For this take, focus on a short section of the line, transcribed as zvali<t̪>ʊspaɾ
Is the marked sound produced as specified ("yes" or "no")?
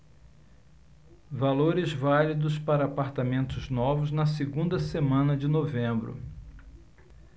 no